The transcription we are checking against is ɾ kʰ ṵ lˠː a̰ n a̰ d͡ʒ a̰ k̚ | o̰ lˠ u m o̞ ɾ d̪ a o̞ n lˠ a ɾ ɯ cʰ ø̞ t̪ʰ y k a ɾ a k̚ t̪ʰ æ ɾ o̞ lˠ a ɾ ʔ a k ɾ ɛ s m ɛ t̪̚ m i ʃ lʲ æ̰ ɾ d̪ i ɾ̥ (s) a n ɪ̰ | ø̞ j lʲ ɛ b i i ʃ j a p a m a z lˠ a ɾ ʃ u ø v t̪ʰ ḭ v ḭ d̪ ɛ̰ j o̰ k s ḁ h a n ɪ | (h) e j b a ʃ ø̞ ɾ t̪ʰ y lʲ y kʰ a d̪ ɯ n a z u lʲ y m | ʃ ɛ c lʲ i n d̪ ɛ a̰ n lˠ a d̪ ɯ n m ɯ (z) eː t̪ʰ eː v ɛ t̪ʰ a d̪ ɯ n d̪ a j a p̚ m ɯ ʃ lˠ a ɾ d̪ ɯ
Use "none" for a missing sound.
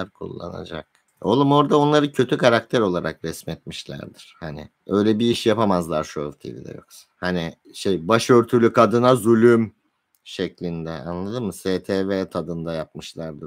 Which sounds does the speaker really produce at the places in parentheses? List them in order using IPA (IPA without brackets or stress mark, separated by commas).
h, ʃ, s